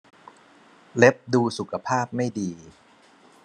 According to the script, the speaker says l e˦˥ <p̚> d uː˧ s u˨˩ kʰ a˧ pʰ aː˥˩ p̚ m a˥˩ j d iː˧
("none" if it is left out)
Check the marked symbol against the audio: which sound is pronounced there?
p̚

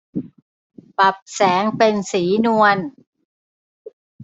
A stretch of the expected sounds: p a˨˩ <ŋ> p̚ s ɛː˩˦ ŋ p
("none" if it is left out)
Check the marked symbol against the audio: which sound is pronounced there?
none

